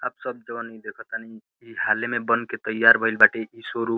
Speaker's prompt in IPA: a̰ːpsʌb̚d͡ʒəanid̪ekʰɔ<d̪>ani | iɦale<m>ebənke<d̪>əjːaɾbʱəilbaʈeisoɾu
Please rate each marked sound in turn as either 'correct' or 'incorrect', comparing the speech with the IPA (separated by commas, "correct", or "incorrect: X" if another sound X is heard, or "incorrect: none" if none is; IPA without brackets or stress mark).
incorrect: t̪, correct, incorrect: t̪